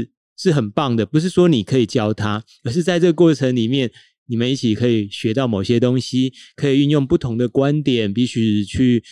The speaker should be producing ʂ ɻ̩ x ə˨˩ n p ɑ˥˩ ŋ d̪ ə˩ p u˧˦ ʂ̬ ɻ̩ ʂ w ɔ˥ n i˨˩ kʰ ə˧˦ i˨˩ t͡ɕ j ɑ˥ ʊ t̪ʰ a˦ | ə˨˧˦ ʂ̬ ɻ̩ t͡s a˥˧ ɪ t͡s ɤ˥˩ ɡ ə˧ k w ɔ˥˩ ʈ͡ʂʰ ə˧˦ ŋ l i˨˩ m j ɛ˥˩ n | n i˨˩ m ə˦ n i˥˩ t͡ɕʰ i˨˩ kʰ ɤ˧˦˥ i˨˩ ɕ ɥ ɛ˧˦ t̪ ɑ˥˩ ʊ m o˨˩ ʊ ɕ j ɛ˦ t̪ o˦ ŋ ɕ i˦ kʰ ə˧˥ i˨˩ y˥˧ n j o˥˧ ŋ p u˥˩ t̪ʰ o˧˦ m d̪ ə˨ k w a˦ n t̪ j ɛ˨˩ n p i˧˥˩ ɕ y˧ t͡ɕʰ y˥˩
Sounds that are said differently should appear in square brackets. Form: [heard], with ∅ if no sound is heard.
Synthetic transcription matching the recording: ʂ ɻ̩ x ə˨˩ n p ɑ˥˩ ŋ d̪ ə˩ p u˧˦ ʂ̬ ɻ̩ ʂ w ɔ˥ n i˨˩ kʰ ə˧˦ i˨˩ t͡ɕ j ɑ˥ ʊ t̪ʰ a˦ | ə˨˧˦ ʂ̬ ɻ̩ t͡s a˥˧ ɪ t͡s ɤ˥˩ ɡ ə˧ k w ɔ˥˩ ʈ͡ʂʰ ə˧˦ ŋ l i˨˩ m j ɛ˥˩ n | n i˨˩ m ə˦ n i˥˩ t͡ɕʰ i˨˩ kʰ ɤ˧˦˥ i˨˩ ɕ ɥ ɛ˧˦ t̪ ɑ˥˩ ʊ m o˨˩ ʊ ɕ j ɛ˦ t̪ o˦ ŋ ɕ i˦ kʰ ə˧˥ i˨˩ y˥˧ n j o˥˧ ŋ p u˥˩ t̪ʰ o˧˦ [ŋ] d̪ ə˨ k w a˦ n t̪ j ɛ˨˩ n p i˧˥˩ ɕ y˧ t͡ɕʰ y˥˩